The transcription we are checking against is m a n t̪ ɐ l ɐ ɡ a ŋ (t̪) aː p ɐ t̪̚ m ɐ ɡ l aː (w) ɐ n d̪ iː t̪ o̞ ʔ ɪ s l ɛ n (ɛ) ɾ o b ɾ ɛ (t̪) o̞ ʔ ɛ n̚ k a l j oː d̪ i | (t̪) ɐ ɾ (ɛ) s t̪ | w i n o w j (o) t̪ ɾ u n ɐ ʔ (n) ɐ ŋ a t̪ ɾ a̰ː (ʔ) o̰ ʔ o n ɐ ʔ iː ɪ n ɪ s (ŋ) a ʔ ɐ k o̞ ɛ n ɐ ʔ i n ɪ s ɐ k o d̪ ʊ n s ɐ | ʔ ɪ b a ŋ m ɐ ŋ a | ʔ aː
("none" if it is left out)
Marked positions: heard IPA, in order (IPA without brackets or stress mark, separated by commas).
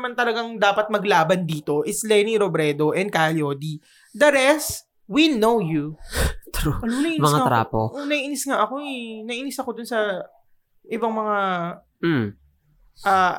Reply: d̪, b, i, d̪, d̪, ɛ, u, m, p, ŋ